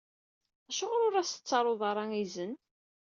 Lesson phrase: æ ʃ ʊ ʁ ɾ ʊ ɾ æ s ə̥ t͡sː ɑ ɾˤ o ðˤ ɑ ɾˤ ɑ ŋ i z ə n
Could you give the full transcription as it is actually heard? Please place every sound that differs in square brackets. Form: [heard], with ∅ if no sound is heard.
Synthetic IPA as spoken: æ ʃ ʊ ʁ ɾ ʊ ɾ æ s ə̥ t͡sː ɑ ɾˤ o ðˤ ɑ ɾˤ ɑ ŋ i z ə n